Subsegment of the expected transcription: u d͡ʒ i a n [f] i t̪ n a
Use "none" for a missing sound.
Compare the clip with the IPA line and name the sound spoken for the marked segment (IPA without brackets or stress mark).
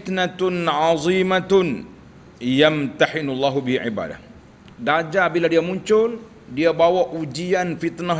f